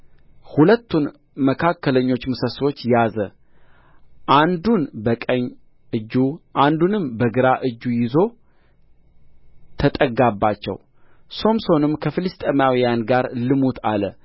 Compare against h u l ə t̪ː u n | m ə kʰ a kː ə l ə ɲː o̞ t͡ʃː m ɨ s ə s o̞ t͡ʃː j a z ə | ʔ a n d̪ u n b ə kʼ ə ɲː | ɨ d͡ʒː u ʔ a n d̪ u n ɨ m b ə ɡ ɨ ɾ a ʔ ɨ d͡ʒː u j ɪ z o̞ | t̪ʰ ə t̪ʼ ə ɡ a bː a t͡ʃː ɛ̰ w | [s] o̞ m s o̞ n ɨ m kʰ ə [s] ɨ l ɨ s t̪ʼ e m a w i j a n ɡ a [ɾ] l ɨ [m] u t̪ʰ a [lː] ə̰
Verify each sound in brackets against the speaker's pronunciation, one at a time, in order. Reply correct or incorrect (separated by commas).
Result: correct, incorrect, correct, correct, incorrect